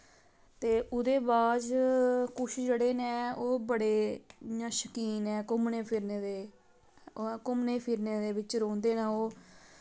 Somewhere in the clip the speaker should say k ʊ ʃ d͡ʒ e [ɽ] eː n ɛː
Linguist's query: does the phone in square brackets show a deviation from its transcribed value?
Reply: no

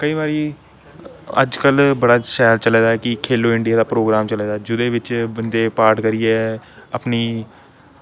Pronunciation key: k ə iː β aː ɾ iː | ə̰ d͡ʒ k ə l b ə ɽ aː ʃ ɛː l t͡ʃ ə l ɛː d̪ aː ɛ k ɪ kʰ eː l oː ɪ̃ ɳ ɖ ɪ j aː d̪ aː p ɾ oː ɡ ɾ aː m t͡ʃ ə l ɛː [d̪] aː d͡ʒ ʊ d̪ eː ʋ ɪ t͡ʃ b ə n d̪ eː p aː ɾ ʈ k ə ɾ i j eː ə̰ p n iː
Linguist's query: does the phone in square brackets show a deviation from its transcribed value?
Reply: no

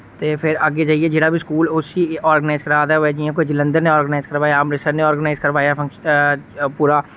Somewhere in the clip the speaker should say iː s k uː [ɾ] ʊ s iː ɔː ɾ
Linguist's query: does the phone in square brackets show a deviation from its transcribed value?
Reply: yes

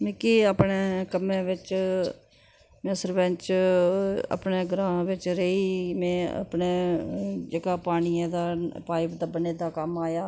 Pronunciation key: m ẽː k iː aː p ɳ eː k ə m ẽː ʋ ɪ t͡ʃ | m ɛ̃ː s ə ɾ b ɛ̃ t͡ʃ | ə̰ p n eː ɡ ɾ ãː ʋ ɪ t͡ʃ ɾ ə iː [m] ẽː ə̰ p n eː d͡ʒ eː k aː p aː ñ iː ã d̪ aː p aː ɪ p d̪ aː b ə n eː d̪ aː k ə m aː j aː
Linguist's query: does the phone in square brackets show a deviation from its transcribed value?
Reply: no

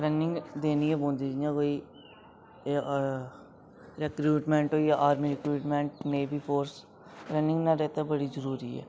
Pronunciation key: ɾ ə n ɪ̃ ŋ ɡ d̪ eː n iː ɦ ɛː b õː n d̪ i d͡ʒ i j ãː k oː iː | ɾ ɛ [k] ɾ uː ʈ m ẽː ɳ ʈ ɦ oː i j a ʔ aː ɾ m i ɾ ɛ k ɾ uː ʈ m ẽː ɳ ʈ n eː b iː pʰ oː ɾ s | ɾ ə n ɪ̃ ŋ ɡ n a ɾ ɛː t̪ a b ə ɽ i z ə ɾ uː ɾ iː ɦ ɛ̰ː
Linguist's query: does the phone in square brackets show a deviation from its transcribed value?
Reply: no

